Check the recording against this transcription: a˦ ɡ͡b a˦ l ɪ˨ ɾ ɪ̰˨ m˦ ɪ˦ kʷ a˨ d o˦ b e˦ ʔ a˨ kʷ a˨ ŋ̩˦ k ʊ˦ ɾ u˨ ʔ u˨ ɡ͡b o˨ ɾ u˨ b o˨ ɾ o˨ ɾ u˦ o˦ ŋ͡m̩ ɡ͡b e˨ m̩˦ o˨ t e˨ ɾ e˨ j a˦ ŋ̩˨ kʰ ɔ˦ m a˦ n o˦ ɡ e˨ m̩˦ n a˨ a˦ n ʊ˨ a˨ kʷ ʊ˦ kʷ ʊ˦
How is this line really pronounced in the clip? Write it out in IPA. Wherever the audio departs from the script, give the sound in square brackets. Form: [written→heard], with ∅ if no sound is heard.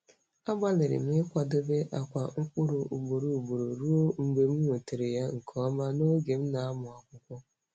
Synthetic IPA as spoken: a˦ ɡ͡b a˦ l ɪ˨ ɾ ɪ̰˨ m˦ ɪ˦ kʷ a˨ d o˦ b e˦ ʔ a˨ kʷ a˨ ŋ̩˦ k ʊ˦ ɾ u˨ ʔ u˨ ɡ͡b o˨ ɾ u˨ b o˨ ɾ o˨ ɾ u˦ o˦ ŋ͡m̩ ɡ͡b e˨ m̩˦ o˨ t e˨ ɾ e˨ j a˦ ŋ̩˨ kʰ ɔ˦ m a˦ n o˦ ɡ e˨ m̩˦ n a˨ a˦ [n→m] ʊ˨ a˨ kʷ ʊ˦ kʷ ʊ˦